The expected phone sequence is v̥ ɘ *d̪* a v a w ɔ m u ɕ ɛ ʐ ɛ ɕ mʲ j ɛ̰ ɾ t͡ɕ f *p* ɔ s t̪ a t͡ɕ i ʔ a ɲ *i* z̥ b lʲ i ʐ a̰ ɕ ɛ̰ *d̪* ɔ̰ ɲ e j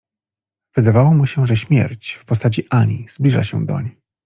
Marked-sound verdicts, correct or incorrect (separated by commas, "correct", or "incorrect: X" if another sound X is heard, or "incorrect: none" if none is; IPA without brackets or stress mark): correct, correct, correct, correct